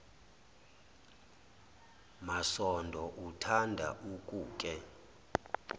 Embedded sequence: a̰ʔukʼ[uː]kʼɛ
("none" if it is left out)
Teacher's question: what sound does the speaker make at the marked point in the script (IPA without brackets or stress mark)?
uː